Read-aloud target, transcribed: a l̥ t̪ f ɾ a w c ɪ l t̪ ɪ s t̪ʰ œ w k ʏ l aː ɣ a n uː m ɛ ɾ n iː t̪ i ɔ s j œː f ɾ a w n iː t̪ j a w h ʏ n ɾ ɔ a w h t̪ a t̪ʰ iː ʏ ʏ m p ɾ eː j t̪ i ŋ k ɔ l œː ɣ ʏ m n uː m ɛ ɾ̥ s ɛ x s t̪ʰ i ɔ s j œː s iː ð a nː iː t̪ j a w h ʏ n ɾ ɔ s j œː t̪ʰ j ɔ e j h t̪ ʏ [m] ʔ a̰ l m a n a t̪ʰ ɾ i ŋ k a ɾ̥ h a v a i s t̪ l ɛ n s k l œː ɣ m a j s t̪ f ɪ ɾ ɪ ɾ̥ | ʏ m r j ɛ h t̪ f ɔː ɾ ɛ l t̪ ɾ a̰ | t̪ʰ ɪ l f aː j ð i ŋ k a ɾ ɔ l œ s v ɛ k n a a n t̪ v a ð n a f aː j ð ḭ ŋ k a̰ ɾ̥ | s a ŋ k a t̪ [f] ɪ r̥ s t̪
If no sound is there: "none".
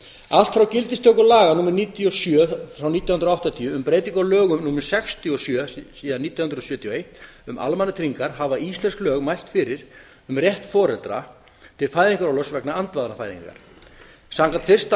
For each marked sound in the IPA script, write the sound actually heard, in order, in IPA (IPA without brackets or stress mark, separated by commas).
m, f